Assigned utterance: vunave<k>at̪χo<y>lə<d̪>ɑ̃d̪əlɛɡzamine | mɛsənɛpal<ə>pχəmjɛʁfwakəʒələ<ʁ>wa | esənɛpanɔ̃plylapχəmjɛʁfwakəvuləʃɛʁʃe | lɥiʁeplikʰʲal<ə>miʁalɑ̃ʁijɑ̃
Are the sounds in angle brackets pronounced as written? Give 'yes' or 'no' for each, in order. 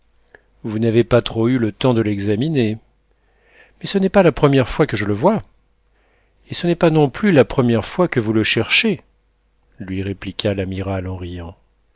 no, yes, no, no, no, no

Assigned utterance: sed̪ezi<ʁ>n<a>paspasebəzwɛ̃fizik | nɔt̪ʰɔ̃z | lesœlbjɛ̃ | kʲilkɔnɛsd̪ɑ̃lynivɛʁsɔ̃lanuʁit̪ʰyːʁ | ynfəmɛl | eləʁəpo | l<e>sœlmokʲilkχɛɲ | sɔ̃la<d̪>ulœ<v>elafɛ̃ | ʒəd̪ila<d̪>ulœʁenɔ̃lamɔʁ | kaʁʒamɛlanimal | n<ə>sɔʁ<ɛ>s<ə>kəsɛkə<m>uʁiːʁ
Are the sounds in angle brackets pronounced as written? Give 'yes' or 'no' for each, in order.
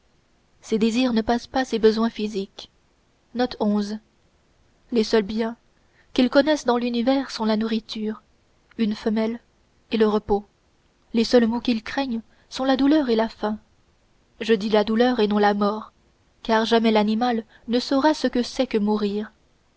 yes, no, yes, yes, no, yes, yes, no, yes, yes

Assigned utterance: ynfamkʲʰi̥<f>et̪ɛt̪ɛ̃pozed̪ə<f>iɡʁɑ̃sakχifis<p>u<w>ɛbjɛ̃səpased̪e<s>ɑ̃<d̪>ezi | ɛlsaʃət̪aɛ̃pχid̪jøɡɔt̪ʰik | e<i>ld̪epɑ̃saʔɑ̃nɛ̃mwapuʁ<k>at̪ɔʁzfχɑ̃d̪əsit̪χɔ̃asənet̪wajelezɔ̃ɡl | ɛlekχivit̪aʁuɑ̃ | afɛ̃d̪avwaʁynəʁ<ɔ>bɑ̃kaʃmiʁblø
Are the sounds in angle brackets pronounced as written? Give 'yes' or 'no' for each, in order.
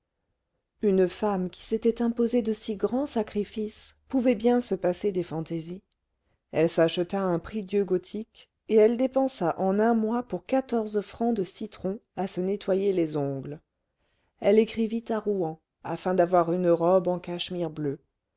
no, no, yes, no, no, no, no, yes, yes

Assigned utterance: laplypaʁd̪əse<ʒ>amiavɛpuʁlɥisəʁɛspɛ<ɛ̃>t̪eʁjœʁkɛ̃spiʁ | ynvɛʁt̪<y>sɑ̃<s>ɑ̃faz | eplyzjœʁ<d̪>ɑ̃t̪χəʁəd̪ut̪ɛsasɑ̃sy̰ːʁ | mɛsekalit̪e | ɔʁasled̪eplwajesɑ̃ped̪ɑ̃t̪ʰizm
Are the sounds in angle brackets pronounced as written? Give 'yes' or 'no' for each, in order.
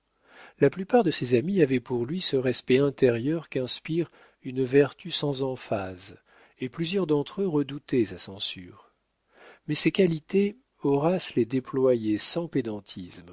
no, yes, yes, no, yes

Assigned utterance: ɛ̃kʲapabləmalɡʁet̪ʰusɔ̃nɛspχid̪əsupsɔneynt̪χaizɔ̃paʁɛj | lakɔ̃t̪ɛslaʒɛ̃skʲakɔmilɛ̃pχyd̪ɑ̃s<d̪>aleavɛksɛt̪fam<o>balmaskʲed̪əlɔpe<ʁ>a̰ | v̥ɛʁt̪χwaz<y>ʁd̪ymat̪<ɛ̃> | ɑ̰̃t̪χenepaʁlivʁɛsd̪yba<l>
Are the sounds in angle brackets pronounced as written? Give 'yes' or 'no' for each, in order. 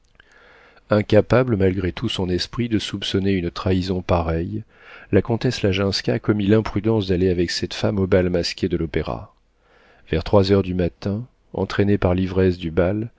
yes, yes, yes, no, yes, yes

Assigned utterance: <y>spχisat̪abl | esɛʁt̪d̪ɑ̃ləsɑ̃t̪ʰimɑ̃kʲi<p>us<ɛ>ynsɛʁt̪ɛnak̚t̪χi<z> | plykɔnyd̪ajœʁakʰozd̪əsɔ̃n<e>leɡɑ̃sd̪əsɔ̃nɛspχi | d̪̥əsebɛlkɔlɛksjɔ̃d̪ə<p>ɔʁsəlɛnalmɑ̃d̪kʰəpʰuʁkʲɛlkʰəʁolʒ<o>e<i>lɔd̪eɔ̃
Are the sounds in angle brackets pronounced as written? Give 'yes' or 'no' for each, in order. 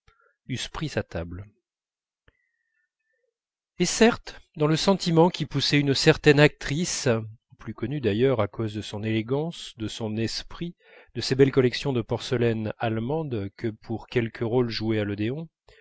yes, yes, yes, no, yes, yes, no, no

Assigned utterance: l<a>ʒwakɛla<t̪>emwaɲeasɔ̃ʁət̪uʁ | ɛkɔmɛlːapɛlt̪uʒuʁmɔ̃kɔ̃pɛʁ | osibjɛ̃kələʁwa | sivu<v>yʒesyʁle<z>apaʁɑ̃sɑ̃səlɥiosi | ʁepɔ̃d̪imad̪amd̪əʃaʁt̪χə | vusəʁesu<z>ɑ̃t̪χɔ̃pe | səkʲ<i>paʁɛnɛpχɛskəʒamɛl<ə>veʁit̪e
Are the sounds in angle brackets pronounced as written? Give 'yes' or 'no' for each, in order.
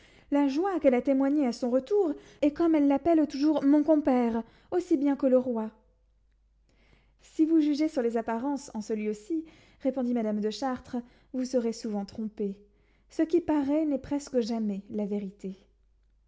yes, yes, no, yes, no, yes, no

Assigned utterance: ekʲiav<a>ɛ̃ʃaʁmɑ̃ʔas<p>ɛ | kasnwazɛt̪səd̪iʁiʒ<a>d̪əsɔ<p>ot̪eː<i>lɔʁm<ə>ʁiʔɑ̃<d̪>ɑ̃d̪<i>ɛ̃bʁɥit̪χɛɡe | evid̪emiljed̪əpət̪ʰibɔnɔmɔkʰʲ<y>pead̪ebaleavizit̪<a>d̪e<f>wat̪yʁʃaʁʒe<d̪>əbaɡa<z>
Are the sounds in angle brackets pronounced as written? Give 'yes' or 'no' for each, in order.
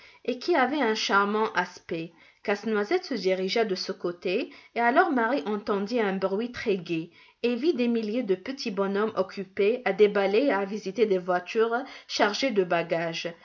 no, yes, yes, no, no, no, no, yes, yes, no, no, yes, no

